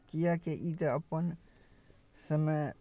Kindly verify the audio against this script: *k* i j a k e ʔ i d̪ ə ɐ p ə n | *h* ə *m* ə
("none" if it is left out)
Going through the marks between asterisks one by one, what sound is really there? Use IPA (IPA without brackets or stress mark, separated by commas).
k, s, m